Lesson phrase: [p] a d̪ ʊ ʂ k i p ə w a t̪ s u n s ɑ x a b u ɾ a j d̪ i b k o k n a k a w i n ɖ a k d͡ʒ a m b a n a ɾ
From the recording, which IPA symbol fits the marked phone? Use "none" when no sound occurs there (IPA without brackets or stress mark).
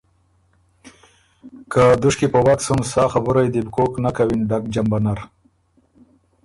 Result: k